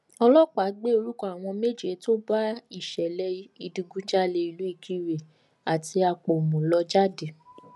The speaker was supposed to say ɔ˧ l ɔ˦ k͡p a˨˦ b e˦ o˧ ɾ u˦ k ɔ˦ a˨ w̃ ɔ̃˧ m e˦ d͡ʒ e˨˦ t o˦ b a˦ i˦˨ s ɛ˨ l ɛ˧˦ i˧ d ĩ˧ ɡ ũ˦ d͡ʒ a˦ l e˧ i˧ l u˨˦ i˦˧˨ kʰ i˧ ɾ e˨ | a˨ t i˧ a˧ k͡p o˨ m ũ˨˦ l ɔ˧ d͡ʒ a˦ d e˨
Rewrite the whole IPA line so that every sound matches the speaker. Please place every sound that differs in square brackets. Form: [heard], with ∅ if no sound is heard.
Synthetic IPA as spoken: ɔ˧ l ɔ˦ k͡p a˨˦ [ɡ͡b] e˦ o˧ ɾ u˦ k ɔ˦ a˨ w̃ ɔ̃˧ m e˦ d͡ʒ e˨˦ t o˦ b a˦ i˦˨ [ʃ] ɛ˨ l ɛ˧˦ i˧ d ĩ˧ ɡ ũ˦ d͡ʒ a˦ l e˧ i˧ l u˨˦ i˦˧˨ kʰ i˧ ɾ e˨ | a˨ t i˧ a˧ k͡p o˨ m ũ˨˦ l ɔ˧ d͡ʒ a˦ d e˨